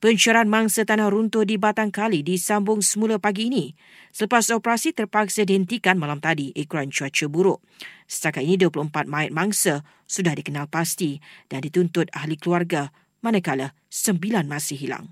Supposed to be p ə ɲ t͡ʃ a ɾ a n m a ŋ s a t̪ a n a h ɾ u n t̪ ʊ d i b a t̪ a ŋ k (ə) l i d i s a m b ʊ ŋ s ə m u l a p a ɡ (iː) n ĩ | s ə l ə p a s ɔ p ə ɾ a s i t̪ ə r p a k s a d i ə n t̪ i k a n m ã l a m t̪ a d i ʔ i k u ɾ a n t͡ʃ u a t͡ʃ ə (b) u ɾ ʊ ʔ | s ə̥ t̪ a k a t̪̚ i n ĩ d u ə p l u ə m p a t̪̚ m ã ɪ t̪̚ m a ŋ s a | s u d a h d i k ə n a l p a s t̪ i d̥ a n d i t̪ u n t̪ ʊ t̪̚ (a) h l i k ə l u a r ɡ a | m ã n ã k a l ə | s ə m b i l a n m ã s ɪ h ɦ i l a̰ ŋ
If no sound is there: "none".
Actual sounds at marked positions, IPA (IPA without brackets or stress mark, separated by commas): a, iː, b, a